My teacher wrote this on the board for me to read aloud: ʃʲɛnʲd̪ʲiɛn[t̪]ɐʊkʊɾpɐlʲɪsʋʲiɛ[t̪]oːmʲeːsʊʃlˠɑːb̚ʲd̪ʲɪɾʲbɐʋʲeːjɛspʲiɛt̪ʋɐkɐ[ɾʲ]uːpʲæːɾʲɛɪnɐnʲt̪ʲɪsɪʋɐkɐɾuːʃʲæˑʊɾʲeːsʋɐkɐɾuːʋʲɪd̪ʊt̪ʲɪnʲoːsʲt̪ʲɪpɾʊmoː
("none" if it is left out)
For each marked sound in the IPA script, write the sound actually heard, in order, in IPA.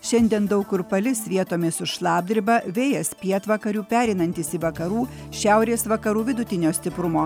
d̪, t̪, ɾʲ

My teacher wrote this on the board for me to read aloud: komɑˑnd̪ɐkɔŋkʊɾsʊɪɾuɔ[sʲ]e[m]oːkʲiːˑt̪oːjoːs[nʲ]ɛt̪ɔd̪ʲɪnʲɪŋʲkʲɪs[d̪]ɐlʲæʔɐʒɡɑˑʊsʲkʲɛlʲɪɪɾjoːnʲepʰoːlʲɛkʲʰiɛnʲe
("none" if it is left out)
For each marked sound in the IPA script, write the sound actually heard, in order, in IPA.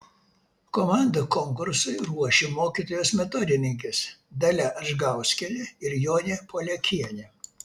ʃʲ, m, mʲ, d̪

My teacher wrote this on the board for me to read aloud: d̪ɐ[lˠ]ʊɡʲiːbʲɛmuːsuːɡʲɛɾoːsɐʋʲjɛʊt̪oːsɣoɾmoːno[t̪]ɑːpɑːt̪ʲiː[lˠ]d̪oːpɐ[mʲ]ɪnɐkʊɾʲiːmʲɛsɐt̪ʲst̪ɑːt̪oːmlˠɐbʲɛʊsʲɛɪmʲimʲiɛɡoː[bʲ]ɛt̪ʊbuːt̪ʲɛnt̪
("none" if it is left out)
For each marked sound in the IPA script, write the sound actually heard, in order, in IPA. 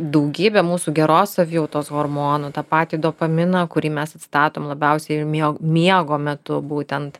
none, t̪, none, mʲ, mʲ

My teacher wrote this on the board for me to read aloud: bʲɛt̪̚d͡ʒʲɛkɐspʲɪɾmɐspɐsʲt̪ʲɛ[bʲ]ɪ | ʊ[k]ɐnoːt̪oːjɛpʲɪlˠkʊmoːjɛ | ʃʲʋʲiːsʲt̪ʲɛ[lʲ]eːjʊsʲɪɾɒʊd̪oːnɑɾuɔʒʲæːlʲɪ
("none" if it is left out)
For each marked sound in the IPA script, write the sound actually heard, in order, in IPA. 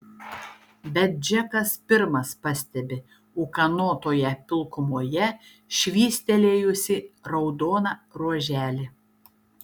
bʲ, k, lʲ

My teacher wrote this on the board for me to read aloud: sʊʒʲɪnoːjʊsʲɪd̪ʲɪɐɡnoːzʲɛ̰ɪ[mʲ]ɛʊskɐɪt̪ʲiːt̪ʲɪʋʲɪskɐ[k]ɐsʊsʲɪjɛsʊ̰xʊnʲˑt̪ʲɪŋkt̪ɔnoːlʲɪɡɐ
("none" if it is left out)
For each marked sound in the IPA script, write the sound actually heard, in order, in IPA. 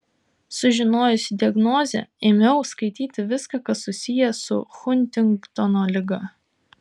mʲ, k

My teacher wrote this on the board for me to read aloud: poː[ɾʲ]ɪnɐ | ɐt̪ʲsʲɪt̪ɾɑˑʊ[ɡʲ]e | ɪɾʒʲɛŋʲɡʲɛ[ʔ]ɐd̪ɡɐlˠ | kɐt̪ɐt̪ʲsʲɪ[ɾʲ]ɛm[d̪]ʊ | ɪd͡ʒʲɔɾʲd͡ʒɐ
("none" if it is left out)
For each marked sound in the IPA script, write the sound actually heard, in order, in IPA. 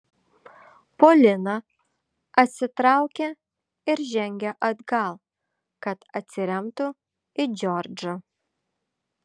lʲ, kʲ, ʔ, ɾʲ, t̪

